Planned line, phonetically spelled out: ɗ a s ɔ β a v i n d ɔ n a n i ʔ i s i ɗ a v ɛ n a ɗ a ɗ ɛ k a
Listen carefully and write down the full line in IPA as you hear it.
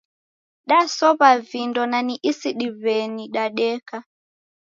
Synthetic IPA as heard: ɗ a s ɔ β a v i n d ɔ n a n i ʔ i s i ɗ i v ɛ n i ɗ a ɗ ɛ k a